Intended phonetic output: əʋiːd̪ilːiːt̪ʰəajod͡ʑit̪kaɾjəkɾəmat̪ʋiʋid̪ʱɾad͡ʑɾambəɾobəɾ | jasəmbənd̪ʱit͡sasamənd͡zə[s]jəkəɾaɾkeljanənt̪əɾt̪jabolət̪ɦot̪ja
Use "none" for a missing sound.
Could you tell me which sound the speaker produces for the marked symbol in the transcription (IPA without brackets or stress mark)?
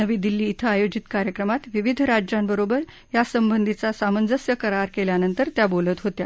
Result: s